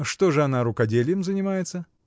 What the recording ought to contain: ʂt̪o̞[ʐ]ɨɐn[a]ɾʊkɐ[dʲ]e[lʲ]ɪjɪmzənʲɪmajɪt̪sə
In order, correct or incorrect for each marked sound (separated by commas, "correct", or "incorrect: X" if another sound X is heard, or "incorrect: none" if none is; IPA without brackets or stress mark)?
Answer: correct, correct, correct, correct